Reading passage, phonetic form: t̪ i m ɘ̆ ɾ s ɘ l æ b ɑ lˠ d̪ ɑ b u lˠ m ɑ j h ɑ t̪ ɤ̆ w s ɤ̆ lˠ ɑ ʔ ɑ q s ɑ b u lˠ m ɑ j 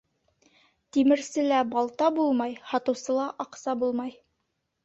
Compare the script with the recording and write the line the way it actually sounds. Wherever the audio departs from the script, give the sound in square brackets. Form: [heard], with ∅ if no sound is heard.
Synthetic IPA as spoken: t̪ i m ɘ̆ ɾ s ɘ l æ b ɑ lˠ [t̪] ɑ b u lˠ m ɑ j h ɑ t̪ ɤ̆ w s ɤ̆ lˠ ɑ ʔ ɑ q s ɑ b u lˠ m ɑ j